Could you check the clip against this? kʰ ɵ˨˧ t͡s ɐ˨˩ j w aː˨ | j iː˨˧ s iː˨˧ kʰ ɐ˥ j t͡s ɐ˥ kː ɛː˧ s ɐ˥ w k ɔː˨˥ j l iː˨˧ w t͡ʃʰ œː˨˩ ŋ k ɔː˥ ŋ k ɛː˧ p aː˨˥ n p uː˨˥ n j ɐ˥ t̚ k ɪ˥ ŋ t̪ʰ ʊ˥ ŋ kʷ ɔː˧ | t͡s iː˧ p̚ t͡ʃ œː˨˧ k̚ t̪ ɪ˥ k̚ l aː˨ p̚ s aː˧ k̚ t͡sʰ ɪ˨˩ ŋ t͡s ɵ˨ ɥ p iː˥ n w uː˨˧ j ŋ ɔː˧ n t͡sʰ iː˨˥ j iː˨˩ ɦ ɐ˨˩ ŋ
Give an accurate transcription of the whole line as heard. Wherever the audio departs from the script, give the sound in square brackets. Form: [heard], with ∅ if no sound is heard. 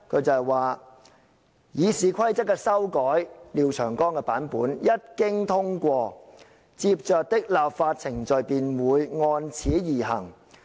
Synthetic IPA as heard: kʰ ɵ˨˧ t͡s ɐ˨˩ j w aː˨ | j iː˨˧ s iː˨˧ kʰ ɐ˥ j t͡s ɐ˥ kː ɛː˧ s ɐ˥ w k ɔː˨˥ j l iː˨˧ w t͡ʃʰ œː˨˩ ŋ k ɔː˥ ŋ k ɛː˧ p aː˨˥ n p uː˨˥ n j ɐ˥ t̚ k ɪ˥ ŋ t̪ʰ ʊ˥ ŋ kʷ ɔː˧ | t͡s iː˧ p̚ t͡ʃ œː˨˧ k̚ t̪ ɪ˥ k̚ l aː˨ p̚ [f] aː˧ [t̚] t͡sʰ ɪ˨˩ ŋ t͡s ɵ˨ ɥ p [iː˨˩] n w uː˨˧ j ŋ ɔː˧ n t͡sʰ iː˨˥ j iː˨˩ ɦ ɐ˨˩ ŋ